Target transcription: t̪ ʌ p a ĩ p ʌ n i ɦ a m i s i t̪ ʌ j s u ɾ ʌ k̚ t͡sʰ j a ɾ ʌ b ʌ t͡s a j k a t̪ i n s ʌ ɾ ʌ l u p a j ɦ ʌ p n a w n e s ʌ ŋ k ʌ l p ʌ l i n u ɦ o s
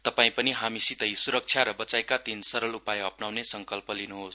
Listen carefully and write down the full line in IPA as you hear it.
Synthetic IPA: t̪ ʌ p a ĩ p ʌ n i ɦ a m i s i t̪ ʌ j s u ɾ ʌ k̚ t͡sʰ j a ɾ ʌ b ʌ t͡s a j k a t̪ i n s ʌ ɾ ʌ l u p a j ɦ ʌ p n a w n e s ʌ ŋ k ʌ l p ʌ l i n u ɦ o s